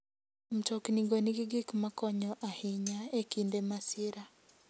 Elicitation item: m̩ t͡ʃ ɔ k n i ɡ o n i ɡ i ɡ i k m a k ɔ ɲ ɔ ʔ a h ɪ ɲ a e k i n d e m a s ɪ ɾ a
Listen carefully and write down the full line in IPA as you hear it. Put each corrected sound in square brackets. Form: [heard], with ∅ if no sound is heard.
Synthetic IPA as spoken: m̩ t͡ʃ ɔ k n i ɡ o n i ɡ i ɡ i k m a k ɔ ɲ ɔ ʔ a h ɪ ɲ a e k i n d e m a s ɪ ɾ a